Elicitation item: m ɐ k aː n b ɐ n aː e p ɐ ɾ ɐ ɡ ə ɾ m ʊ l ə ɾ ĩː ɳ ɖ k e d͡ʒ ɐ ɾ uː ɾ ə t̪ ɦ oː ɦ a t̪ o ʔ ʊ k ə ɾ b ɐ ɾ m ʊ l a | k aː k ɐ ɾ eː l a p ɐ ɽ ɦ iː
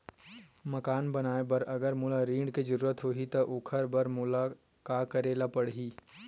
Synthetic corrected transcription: m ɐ k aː n b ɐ n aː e b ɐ ɾ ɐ ɡ ə ɾ m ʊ l a ɾ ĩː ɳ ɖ k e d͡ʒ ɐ ɾ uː ɾ ə t̪ ɦ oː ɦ i t̪ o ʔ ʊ kʰ ə ɾ b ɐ ɾ m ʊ l a | k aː k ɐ ɾ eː l a p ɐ ɽ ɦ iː